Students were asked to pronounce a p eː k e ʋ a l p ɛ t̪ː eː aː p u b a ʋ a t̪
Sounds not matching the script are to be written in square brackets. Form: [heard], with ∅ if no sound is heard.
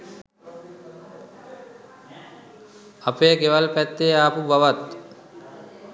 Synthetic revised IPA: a p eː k e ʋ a l p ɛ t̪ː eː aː p u b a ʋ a t̪